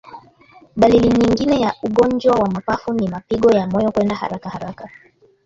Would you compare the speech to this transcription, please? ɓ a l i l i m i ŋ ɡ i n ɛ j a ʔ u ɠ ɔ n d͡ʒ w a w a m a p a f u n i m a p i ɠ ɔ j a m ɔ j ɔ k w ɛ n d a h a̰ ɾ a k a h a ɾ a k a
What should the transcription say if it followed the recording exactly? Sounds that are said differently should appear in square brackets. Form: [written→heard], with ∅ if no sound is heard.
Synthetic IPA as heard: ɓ a l i l i [m→ɲ] i ŋ ɡ i n ɛ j a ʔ u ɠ ɔ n d͡ʒ w a w a m a p a f u n i m a p i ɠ ɔ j a m ɔ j ɔ k w ɛ n d a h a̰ ɾ a k a h a ɾ a k a